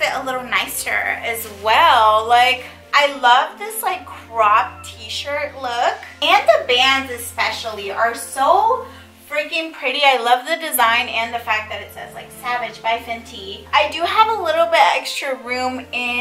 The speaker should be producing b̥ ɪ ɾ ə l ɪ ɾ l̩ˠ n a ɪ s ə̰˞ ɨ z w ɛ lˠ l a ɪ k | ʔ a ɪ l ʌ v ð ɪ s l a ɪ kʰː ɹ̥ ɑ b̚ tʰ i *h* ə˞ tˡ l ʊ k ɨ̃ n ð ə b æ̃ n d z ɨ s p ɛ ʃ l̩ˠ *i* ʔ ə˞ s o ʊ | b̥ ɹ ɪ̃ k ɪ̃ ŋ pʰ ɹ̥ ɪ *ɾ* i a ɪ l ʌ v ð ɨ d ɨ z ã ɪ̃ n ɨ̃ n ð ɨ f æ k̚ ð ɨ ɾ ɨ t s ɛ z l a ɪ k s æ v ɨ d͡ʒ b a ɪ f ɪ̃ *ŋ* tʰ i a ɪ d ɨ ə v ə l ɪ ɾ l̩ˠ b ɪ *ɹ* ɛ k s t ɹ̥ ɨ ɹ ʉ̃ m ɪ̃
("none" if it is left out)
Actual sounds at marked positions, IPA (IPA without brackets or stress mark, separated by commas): ʃ, i, ɾ, n, ɾ